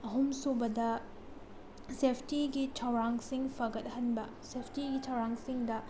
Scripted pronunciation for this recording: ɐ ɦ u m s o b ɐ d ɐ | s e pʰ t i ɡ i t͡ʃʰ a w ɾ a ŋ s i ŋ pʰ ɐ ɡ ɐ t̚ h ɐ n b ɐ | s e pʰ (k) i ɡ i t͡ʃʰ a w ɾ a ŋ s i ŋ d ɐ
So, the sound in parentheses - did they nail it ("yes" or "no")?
no